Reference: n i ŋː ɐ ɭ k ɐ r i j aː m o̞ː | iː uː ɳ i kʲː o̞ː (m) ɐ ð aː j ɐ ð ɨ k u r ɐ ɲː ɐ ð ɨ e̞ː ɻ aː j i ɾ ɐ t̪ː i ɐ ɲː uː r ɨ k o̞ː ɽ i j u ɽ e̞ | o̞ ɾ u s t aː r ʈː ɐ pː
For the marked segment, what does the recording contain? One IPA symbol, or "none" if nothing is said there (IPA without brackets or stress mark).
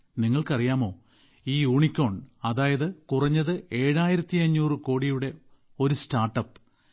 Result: ɳ